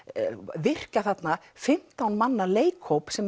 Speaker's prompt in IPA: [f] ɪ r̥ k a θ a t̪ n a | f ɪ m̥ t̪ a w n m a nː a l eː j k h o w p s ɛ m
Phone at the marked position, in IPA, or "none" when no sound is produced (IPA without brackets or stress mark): v